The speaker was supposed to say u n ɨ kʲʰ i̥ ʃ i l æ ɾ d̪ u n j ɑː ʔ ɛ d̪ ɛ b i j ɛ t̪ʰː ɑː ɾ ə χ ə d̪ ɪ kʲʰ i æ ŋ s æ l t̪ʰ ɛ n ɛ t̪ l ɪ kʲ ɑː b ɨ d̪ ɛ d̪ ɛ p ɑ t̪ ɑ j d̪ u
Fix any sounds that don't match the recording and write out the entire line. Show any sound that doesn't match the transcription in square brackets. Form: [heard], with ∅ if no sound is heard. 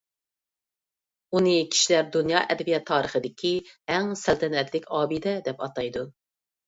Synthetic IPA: u n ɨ kʲʰ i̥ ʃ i l æ ɾ d̪ u n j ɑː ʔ ɛ d̪ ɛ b i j ɛ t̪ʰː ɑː ɾ ə χ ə d̪ ɪ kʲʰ i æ ŋ s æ l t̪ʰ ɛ n ɛ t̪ l ɪ kʲ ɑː b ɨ d̪ ɛ d̪ ɛ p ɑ t̪ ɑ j d̪ u